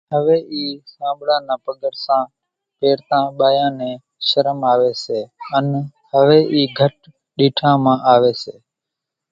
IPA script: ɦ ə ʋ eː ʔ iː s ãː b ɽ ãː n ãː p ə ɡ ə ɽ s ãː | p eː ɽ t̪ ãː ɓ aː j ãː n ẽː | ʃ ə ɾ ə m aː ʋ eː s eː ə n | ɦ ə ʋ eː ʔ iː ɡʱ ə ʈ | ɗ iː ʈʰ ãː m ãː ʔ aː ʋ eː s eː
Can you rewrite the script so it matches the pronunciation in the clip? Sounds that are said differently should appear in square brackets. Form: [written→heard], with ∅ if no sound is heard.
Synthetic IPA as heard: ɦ ə ʋ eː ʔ iː s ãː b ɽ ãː n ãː p ə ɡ ə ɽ s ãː | p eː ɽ t̪ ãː ɓ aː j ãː n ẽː | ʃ ə ɾ ə m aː ʋ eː s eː ə n | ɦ ə ʋ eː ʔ iː ɡʱ ə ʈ | ɗ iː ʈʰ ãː m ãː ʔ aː ʋ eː s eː